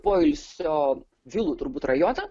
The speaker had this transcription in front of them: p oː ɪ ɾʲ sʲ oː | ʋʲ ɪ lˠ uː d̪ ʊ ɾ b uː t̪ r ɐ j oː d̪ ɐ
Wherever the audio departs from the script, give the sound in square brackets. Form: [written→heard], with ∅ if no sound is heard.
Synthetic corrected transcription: p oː ɪ [ɾʲ→lʲ] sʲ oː | ʋʲ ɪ lˠ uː [d̪→t̪] ʊ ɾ b uː t̪ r ɐ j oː [d̪→t̪] ɐ